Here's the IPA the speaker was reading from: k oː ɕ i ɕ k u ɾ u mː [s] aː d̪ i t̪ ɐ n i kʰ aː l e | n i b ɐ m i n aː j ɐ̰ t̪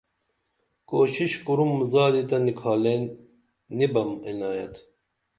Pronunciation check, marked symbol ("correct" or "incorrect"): incorrect